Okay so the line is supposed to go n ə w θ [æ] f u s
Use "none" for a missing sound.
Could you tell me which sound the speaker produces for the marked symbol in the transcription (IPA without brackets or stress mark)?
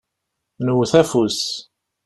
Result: æ